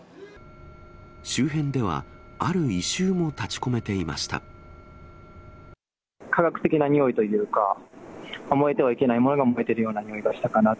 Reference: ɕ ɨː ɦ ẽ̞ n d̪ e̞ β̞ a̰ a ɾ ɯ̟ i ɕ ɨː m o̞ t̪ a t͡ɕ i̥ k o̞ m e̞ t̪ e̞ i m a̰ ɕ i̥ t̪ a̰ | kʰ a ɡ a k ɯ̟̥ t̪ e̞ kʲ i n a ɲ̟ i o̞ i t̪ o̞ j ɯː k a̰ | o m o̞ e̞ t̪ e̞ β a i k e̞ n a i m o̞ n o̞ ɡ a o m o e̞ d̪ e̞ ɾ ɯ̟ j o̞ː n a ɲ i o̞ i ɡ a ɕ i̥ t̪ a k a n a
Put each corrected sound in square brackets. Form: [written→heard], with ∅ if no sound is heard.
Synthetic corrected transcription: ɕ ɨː ɦ ẽ̞ n d̪ e̞ β̞ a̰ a ɾ ɯ̟ i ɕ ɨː m o̞ t̪ a t͡ɕ i̥ k o̞ m e̞ t̪ e̞ i m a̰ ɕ i̥ t̪ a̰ | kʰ a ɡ a k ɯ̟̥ t̪ e̞ kʲ i n a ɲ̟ i o̞ i t̪ o̞ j ɯː k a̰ | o m o̞ e̞ t̪ e̞ β a i k e̞ n a i m o̞ n o̞ ɡ a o m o e̞ [d̪→t̪] e̞ ɾ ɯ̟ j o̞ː n a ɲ i o̞ i ɡ a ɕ i̥ t̪ a k a n a